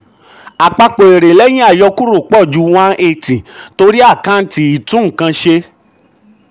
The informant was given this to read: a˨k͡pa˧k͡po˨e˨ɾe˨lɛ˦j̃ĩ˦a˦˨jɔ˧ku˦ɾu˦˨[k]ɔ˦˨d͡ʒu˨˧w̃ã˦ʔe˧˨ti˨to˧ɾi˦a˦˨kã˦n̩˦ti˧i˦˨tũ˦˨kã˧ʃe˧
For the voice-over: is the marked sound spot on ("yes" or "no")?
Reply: no